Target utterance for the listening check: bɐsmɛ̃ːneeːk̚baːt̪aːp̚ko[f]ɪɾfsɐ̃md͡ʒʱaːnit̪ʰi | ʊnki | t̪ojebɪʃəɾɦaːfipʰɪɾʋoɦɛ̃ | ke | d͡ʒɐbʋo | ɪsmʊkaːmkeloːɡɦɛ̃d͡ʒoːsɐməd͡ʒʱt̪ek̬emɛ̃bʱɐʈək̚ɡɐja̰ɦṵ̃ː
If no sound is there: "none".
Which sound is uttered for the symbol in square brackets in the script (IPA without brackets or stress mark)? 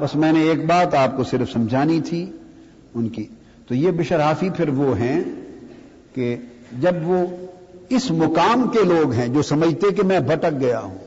s